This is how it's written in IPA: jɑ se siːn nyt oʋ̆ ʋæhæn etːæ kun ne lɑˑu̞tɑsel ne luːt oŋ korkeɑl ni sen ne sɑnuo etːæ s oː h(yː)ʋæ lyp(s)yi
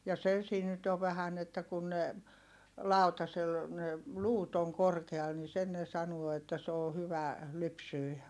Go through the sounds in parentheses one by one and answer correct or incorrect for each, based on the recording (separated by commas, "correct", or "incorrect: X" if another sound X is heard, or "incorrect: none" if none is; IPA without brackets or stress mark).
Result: incorrect: y, correct